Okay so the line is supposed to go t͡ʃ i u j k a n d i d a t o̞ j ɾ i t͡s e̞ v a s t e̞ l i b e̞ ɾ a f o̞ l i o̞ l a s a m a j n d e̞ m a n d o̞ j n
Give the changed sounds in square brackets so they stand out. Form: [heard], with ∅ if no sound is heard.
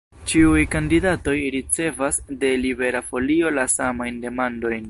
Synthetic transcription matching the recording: t͡ʃ i u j k a n d i d a t o̞ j ɾ i t͡s e̞ v a s [d] e̞ l i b e̞ ɾ a f o̞ l i o̞ l a s a m a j n d e̞ m a n d o̞ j n